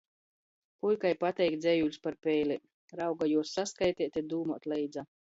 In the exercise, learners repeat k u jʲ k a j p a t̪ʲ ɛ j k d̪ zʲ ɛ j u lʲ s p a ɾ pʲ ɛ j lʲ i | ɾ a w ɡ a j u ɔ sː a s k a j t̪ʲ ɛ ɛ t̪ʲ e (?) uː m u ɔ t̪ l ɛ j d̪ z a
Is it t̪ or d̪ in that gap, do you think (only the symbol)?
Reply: d̪